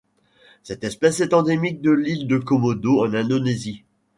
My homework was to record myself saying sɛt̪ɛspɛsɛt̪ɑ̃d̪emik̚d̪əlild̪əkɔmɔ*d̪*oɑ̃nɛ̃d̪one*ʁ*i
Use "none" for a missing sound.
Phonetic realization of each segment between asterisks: d̪, z

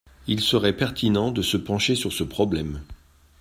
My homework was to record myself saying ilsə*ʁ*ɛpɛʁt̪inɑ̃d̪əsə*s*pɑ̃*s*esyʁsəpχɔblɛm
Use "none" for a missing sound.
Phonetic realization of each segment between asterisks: ʁ, none, ʃ

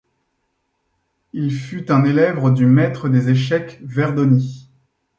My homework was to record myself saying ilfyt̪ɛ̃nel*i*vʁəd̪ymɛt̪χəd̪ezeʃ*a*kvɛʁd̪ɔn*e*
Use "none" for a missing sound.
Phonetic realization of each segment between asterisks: ɛ, ɛ, i

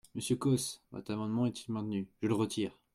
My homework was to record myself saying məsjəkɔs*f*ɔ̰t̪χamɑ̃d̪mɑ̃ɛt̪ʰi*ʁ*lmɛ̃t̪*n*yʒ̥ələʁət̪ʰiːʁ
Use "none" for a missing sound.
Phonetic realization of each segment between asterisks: v, none, n

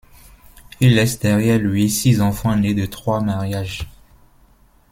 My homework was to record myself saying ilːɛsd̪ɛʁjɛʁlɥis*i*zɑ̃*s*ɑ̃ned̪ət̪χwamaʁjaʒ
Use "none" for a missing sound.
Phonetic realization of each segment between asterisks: i, f

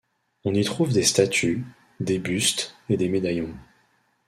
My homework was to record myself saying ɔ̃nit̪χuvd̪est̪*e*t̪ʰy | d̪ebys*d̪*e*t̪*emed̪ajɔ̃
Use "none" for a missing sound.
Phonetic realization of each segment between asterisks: a, t̪, d̪

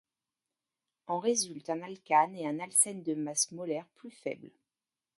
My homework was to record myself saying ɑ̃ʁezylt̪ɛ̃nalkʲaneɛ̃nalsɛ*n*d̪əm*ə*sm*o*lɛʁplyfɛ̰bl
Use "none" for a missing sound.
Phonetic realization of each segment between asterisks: n, a, ɔ

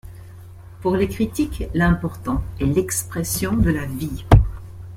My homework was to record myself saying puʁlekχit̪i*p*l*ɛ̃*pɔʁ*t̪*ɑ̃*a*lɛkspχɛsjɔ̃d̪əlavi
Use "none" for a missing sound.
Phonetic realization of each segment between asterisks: k, ɛ̃, t̪, ɛ

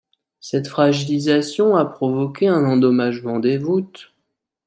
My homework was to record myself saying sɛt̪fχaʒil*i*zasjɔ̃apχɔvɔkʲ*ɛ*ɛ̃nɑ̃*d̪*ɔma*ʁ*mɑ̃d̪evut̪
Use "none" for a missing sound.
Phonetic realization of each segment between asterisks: i, e, d̪, ʒ

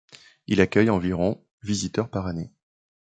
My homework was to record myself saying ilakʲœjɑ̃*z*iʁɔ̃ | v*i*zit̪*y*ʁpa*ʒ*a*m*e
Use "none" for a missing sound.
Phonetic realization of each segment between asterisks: v, i, œ, ʁ, n

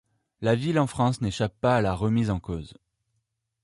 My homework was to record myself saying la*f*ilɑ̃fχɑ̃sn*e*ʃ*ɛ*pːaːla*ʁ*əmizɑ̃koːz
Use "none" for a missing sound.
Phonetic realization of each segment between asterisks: v, e, a, ʁ

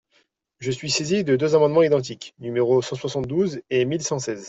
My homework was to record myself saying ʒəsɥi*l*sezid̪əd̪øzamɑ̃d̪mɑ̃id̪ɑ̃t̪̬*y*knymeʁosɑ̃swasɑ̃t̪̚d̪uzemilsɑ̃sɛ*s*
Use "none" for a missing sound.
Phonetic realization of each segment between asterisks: none, i, z

